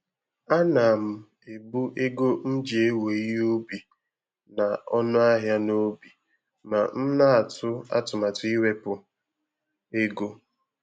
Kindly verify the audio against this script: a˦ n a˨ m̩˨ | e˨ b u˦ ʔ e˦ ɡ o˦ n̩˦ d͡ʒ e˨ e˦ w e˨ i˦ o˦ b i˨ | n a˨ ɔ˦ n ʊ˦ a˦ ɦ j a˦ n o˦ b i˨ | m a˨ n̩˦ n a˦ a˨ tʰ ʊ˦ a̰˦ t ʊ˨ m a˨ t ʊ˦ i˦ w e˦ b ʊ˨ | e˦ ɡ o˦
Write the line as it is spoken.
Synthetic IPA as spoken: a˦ n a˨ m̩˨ | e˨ b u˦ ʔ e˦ ɡ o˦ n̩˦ d͡ʒ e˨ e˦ w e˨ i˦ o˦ b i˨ | n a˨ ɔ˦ n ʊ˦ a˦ ɦ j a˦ n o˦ b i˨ | m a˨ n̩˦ n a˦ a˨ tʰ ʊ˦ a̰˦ t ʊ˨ m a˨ t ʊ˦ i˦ w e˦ p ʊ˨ | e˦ ɡ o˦